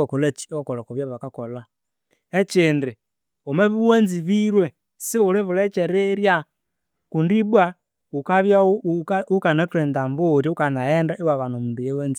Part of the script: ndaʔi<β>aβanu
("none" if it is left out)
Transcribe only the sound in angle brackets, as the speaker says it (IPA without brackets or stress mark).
w